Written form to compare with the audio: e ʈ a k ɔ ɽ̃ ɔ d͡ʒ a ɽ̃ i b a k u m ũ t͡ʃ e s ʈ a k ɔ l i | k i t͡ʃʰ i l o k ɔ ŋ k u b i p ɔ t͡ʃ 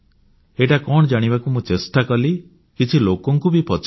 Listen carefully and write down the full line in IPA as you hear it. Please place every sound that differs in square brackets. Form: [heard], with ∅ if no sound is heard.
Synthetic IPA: e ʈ a k ɔ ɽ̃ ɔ d͡ʒ a ɽ̃ i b a k u m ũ t͡ʃ e s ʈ a k ɔ l i | k i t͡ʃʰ i l o k ɔ ŋ k u b i p ɔ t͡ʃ

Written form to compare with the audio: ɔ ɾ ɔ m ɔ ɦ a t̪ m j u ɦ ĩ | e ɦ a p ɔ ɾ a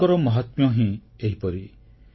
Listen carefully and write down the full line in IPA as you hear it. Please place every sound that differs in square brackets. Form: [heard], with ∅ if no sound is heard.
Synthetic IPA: ɔ ɾ ɔ m ɔ ɦ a t̪ m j [ɔ] ɦ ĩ | e ɦ [i] p ɔ ɾ [i]

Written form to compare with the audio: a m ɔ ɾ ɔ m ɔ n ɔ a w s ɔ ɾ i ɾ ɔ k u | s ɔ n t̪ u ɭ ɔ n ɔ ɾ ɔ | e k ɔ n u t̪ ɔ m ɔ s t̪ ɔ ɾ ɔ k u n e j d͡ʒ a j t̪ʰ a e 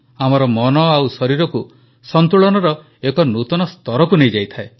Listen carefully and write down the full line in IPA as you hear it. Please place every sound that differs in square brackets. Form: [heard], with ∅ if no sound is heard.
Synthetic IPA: a m ɔ ɾ ɔ m ɔ n ɔ a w s ɔ ɾ i ɾ ɔ k u | s ɔ n t̪ u ɭ ɔ n ɔ ɾ ɔ | e k ɔ n u t̪ ɔ [n] ɔ s t̪ ɔ ɾ ɔ k u n e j d͡ʒ a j t̪ʰ a e

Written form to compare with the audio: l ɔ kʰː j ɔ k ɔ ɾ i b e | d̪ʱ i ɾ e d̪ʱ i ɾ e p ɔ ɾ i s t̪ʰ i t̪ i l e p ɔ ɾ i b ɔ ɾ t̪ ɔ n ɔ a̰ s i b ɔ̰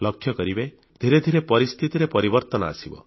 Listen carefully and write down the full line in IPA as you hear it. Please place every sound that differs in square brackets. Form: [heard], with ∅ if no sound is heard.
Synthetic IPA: l ɔ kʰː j ɔ k ɔ ɾ i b e | d̪ʱ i ɾ e d̪ʱ i ɾ e p ɔ ɾ i s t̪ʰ i t̪ i [ɾ] e p ɔ ɾ i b ɔ ɾ t̪ ɔ n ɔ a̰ s i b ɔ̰

